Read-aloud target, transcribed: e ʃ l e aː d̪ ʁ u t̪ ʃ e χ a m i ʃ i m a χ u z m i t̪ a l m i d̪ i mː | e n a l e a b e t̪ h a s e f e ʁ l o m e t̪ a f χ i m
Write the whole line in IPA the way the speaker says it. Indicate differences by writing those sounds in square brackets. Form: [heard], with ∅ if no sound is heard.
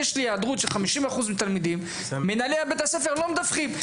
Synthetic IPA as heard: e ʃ l [i] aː d̪ ʁ u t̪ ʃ e χ a m i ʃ i m a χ u z m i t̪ a l m i d̪ i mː | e n a l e a b e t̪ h a s e f e ʁ l o m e [d̪] a f χ i m